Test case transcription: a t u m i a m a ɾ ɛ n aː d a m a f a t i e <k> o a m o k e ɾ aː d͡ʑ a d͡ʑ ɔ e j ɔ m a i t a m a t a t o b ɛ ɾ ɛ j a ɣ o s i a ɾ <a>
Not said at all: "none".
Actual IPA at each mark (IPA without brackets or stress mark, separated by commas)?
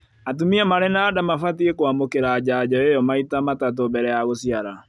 k, a